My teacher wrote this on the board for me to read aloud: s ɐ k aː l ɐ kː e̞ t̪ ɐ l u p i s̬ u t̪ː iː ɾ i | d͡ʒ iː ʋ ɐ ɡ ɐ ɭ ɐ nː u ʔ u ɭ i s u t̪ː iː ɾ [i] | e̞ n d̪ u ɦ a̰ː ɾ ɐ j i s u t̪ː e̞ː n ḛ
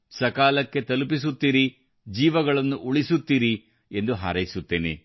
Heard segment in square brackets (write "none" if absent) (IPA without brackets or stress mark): i